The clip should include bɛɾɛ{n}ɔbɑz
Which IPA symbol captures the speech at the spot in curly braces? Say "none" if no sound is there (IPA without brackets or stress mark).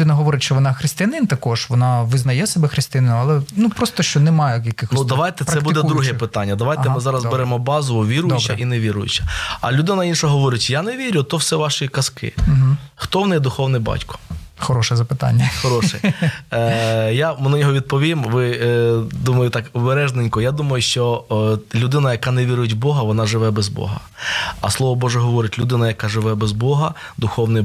m